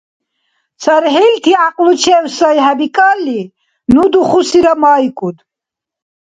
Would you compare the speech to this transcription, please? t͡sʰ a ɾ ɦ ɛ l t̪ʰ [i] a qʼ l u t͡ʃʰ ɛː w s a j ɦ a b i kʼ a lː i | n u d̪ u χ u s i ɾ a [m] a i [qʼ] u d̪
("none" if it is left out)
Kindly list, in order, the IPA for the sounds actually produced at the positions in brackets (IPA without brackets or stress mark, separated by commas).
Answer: i, m, kʼ